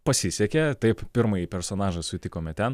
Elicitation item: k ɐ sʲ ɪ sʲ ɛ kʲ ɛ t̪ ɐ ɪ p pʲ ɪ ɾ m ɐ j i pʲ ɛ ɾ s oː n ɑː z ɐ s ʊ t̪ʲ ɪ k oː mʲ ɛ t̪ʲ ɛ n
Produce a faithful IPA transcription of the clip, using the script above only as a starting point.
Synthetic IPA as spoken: p ɐ sʲ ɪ sʲ ɛ kʲ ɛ t̪ ɐ ɪ p pʲ ɪ ɾ m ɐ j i pʲ ɛ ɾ s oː n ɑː ʒ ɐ s ʊ t̪ʲ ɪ k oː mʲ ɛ t̪ʲ ɛ n